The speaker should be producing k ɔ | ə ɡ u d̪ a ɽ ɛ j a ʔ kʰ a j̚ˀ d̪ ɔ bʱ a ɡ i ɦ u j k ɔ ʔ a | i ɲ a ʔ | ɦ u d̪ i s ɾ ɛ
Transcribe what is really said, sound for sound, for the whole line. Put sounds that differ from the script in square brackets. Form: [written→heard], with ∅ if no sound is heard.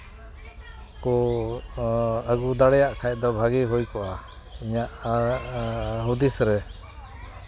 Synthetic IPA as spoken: k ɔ | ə ɡ u d̪ a ɽ ɛ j a ʔ kʰ a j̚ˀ d̪ ɔ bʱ a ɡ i ɦ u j k ɔ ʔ a | i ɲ a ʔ | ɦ u d̪ i s ɾ ɛ

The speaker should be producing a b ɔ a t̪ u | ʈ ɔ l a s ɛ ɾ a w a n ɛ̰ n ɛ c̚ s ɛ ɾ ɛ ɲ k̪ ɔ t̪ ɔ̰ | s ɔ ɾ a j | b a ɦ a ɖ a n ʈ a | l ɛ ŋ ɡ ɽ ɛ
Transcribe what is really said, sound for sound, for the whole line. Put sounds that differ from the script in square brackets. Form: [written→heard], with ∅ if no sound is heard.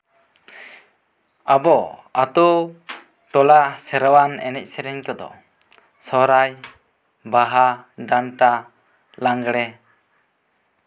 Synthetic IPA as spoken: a b ɔ a t̪ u | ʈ ɔ l a s ɛ ɾ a w a n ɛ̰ n ɛ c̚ s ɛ ɾ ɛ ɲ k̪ ɔ [t̪→d̪] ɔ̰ | s ɔ ɾ a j | b a ɦ a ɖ a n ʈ a | l [ɛ→a] ŋ ɡ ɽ ɛ

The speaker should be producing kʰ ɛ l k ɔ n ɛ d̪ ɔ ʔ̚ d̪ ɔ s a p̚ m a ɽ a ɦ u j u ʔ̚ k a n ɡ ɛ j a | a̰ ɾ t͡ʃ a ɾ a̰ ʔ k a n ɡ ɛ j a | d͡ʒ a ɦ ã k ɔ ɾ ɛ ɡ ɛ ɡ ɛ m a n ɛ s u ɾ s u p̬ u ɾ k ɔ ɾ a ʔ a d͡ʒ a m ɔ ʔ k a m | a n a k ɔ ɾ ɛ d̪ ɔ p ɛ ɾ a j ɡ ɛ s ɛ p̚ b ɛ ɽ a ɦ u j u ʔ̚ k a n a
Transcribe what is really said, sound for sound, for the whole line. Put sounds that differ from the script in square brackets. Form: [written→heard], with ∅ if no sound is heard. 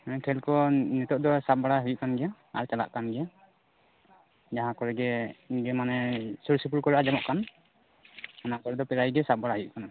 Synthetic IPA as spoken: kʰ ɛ l k ɔ n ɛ [d̪→t̪] ɔ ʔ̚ d̪ ɔ s a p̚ [m→b] a ɽ a ɦ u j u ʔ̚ k a n ɡ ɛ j a | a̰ ɾ t͡ʃ a [ɾ→l] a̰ ʔ k a n ɡ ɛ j a | d͡ʒ a ɦ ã k ɔ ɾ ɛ ɡ ɛ ɡ ɛ m a n ɛ s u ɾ s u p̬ u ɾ k ɔ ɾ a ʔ a d͡ʒ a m ɔ ʔ k a [m→n] | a n a k ɔ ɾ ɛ d̪ ɔ p ɛ ɾ a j ɡ ɛ s [ɛ→a] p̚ b [ɛ→a] ɽ a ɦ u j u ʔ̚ k a n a

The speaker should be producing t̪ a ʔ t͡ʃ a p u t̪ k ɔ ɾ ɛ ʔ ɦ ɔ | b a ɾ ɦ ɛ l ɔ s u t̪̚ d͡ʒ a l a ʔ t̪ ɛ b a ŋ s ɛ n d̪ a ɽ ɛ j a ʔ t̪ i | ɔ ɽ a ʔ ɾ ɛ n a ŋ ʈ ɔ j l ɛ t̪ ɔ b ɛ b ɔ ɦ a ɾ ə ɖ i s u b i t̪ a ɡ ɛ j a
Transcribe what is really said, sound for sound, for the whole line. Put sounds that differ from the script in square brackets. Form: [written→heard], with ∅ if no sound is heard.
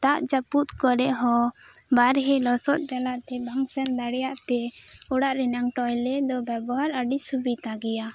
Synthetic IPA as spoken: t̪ a ʔ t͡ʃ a p u t̪ k ɔ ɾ ɛ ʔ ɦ ɔ | b a ɾ ɦ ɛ l ɔ s [u→ɔ] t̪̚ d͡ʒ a l a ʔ t̪ ɛ b a ŋ s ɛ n d̪ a ɽ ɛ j a ʔ t̪ [i→ɛ] | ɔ ɽ a ʔ ɾ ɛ n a ŋ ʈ ɔ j l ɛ [t̪→d̪] ɔ b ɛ b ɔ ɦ a ɾ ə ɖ i s u b i t̪ a ɡ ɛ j a

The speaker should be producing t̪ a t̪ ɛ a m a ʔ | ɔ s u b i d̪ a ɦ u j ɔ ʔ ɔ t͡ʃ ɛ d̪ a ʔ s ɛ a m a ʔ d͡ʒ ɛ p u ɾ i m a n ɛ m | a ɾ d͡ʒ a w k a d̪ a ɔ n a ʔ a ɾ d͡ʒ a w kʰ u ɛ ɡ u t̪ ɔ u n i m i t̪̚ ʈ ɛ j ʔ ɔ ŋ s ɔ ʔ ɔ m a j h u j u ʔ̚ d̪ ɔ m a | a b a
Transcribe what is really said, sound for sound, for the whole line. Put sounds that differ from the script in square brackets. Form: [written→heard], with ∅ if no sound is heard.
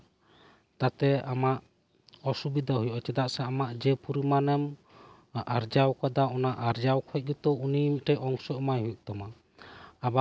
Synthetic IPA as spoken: t̪ a t̪ ɛ a m a ʔ | ɔ s u b i d̪ a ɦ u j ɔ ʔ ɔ t͡ʃ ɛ d̪ a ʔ s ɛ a m a ʔ d͡ʒ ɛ p u ɾ i m a n ɛ m | a ɾ d͡ʒ a w k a d̪ a ɔ n a ʔ a ɾ d͡ʒ a w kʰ [u→ɔ] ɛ ɡ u t̪ ɔ u n i m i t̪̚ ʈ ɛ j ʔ ɔ ŋ s ɔ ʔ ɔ m a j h u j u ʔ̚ [d̪→t̪] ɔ m a | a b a

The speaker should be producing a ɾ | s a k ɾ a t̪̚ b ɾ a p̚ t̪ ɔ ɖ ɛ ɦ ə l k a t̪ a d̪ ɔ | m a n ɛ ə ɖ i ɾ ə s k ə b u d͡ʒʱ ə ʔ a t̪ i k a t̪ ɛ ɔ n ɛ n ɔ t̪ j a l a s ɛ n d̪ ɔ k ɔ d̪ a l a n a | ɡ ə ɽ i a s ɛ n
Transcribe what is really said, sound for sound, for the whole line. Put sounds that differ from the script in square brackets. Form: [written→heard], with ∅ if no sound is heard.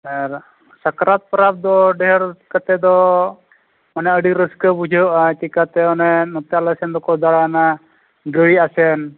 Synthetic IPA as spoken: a ɾ | s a k ɾ a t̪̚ [b→p] ɾ a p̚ [t̪→d̪] ɔ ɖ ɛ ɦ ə [l→ɾ] k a t̪ [a→ɛ] d̪ ɔ | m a n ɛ ə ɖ i ɾ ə s k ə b u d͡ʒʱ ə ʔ a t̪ i k a t̪ ɛ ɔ n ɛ n ɔ t̪ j a l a s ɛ n d̪ ɔ k ɔ d̪ a [l→ɽ] a n a | ɡ ə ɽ i a s ɛ n

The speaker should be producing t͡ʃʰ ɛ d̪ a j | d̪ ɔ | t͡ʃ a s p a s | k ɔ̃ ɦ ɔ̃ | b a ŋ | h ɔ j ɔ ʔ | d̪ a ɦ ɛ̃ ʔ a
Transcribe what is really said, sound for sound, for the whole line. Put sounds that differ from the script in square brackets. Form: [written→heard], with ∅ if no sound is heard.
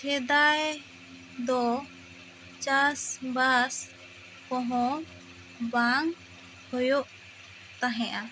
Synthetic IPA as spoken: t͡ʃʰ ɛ d̪ a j | d̪ ɔ | t͡ʃ a s [p→b] a s | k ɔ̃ ɦ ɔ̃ | b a ŋ | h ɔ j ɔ ʔ | [d̪→t̪] a ɦ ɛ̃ ʔ a

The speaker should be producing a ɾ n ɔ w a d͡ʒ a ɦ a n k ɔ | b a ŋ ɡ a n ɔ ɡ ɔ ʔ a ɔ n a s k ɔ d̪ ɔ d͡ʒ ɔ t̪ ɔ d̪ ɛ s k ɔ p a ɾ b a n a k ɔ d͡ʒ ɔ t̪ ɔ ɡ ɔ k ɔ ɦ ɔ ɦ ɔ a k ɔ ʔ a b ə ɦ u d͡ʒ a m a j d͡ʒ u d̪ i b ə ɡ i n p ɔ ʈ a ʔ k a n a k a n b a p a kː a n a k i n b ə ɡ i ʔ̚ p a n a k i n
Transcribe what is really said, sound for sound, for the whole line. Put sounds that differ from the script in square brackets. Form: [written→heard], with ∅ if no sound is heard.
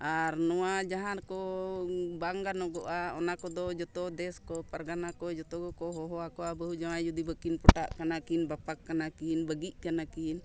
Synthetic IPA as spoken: a ɾ n ɔ w a d͡ʒ a ɦ a n k ɔ | b a ŋ ɡ a n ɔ ɡ ɔ ʔ a ɔ n a [s→∅] k ɔ d̪ ɔ d͡ʒ ɔ t̪ ɔ d̪ ɛ s k ɔ p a ɾ [b→ɡ] a n a k ɔ d͡ʒ ɔ t̪ ɔ ɡ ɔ k ɔ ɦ ɔ ɦ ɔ a k ɔ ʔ a b ə ɦ u d͡ʒ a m a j d͡ʒ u d̪ i b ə [ɡ→k] i n p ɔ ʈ a ʔ k a n a k [a→i] n b a p a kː a n a k i n b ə ɡ i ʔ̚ [p→k] a n a k i n

